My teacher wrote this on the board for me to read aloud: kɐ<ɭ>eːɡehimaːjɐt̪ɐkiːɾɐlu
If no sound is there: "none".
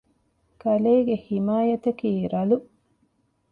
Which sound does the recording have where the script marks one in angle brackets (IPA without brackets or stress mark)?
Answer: l